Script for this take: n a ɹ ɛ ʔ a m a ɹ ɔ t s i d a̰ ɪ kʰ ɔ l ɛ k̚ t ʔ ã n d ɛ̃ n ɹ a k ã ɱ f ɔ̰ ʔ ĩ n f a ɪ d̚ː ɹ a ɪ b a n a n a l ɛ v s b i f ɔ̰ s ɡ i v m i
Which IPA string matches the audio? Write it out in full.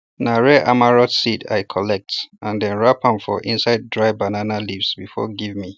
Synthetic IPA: n a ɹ ɛ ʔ a m a ɹ ɔ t s i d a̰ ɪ kʰ ɔ l ɛ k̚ t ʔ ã n d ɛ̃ n ɹ a p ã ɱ f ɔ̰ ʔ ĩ n s a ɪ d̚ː ɹ a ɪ b a n a n a l i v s b i f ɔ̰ ɡ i v m i